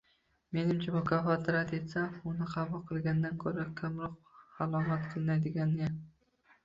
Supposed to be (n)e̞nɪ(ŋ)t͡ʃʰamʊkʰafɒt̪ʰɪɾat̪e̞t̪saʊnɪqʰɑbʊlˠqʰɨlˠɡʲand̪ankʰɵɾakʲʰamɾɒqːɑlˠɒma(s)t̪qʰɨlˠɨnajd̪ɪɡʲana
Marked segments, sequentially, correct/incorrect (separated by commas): incorrect, incorrect, incorrect